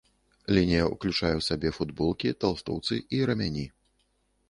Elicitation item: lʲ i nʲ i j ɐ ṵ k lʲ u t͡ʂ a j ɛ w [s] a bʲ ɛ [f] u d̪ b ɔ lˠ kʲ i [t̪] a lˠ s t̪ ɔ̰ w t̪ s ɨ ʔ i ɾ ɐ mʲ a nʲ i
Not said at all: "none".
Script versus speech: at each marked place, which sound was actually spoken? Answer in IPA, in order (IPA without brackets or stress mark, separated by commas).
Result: s, f, t̪